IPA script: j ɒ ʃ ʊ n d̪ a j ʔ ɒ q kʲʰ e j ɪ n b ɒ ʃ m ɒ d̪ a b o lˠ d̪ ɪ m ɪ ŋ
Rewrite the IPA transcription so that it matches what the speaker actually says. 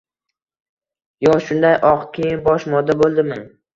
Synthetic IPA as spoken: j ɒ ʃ ʊ n d̪ a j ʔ ɒ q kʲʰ e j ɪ n b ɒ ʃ m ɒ d̪ a b o lˠ d̪ ɪ m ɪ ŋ